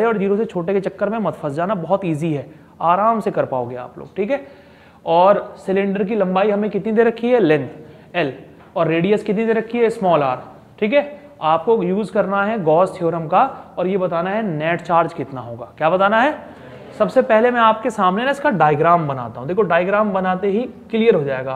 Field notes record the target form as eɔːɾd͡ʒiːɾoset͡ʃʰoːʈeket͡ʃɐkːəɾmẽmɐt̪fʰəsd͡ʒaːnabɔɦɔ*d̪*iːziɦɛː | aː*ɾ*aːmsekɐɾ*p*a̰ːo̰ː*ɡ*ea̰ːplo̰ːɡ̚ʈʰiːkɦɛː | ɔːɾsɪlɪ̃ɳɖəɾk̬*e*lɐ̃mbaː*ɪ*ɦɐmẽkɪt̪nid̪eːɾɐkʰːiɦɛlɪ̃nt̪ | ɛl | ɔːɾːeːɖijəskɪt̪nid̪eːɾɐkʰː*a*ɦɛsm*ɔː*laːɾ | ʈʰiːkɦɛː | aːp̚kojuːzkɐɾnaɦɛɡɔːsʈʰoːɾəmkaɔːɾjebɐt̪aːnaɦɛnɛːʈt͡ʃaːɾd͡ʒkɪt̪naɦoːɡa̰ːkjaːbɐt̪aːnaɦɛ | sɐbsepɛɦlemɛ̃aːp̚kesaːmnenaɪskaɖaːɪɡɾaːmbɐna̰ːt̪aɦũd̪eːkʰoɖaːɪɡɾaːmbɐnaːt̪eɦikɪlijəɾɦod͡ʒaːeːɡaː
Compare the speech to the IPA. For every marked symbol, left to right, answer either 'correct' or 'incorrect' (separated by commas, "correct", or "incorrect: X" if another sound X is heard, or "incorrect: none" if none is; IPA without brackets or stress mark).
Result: incorrect: t̪, correct, correct, correct, incorrect: i, incorrect: i, incorrect: i, correct